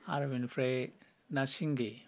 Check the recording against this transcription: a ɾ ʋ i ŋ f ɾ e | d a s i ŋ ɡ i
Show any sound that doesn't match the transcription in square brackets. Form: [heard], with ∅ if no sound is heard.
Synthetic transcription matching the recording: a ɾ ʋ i [n] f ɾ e | [n] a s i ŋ ɡ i